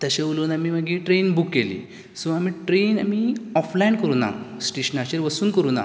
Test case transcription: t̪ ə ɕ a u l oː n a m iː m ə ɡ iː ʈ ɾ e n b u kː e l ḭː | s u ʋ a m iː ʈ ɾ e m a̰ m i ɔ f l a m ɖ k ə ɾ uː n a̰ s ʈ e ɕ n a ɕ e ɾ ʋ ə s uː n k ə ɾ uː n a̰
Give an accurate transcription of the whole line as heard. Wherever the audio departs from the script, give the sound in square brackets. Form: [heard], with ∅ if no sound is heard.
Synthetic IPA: t̪ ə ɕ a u l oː n a m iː m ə ɡ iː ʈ ɾ e n b u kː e l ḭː | s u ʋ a m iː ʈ ɾ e [n] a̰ m i ɔ f l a [ɳ] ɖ k ə ɾ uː n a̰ s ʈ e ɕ n a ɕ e ɾ ʋ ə s uː n k ə ɾ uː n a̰